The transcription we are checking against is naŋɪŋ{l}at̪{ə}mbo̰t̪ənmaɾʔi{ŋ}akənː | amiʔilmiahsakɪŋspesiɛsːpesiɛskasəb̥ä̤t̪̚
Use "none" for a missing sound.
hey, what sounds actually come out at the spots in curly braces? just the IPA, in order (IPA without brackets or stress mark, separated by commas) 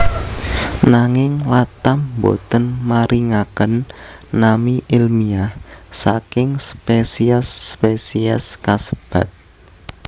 l, a, ŋ